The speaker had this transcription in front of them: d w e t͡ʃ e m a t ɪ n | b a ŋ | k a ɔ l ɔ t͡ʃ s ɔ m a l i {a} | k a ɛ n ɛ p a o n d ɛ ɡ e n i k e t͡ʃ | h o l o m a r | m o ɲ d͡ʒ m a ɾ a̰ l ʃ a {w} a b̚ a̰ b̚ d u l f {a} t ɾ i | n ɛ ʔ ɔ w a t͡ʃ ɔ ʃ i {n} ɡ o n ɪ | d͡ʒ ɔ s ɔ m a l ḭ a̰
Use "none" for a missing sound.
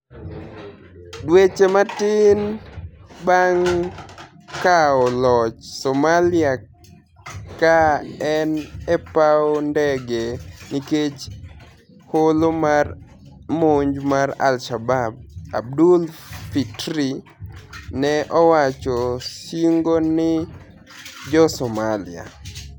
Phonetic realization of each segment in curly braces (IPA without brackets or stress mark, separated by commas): a, b, i, ŋ